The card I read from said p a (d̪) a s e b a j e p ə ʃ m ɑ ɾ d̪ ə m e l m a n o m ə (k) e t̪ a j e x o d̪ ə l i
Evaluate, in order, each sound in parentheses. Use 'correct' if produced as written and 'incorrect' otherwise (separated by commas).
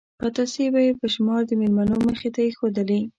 incorrect, incorrect